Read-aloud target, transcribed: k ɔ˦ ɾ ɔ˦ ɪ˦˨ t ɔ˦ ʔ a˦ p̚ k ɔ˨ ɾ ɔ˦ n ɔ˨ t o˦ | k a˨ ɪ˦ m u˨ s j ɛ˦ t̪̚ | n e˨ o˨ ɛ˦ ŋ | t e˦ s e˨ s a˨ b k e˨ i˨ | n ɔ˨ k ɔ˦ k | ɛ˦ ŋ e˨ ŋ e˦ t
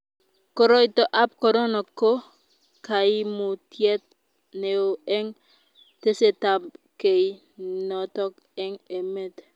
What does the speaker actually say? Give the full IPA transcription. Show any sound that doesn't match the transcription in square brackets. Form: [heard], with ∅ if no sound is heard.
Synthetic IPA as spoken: k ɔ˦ ɾ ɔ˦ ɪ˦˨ t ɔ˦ ʔ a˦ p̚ k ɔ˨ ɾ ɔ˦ n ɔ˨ [k] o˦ | k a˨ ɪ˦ m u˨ [t] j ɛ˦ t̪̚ | n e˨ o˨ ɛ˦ ŋ | t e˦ s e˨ [t] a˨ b k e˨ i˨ | n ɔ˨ [t] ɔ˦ k | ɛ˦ ŋ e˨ [m] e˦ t